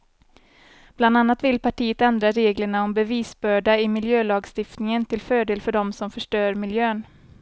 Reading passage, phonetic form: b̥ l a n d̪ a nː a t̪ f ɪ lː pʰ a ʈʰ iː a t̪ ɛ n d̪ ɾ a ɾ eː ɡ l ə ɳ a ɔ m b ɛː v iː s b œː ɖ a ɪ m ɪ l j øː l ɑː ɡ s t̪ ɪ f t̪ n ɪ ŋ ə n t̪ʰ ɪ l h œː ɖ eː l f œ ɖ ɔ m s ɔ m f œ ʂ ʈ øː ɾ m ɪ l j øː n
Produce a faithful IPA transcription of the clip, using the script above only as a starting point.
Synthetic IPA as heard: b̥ l a n d̪ a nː a t̪ v ɪ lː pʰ a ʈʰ iː ə t̪ ɛ n d̪ ɾ a ɾ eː ɡ l ə ɳ a ɔ m b ɛ v iː s b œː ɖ a ɪ m ɪ l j øː l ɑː ɡ s t̪ ɪ f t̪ n ɪ ŋ ə n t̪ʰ ɪ l f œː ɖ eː l f œ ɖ ɔ m s ɔ m f œ ʂ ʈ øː ɾ m ɪ l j øː n